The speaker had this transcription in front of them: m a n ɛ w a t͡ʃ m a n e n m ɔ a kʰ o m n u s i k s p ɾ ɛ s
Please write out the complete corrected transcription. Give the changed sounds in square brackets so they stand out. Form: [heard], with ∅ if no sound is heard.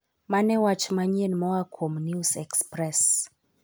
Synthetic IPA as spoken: m a n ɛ w a t͡ʃ m a [ɲ] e n m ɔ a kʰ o m n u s [ɛ] k s p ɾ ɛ s